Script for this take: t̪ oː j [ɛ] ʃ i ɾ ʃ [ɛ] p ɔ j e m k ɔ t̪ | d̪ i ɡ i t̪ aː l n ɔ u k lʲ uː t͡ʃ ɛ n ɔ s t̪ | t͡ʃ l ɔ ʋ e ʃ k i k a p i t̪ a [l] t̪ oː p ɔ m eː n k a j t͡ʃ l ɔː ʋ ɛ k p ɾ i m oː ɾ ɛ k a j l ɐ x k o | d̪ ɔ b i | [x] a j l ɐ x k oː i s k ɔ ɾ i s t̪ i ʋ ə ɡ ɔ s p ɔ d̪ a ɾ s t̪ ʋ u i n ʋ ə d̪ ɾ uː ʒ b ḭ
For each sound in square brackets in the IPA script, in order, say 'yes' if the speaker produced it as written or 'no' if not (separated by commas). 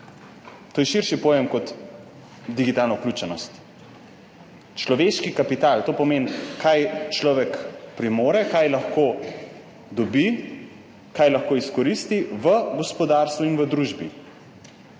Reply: yes, no, yes, no